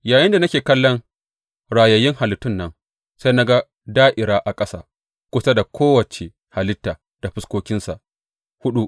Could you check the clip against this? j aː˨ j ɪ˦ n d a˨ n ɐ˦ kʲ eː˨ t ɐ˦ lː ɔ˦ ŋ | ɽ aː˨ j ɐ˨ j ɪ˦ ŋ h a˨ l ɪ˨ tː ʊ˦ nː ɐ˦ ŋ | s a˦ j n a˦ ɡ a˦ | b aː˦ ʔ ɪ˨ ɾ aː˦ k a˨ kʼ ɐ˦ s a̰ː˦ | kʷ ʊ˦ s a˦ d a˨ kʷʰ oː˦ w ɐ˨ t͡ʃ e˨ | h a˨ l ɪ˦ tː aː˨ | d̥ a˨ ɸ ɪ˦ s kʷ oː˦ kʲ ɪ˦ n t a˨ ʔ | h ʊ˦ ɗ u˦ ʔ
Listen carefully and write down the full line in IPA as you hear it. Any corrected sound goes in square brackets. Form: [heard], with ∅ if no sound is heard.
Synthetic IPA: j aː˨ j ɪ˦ n d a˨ n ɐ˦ kʲ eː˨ [k] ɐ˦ lː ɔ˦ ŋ | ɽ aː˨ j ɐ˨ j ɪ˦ ŋ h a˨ l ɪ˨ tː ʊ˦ nː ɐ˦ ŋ | s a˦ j n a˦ ɡ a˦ | [d] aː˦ ʔ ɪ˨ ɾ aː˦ [ʔ] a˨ kʼ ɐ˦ s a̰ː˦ | kʷ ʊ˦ s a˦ d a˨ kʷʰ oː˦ w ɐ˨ t͡ʃ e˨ | h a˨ l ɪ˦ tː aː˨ | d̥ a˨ ɸ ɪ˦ s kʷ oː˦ kʲ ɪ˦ n [s] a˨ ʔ | h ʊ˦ ɗ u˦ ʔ